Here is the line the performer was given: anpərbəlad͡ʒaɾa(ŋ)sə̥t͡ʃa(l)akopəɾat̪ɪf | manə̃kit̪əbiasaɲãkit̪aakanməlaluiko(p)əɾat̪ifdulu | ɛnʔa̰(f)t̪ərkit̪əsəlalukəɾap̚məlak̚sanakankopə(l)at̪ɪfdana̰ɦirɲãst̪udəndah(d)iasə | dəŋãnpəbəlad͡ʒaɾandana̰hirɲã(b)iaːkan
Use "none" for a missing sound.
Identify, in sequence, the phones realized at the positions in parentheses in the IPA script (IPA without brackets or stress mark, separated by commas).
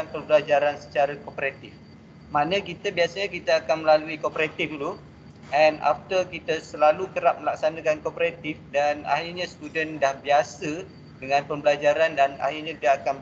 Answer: n, ɾ, p, f, ɾ, b, d